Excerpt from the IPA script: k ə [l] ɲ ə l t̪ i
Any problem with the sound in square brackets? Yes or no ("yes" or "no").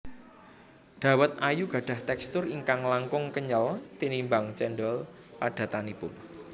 yes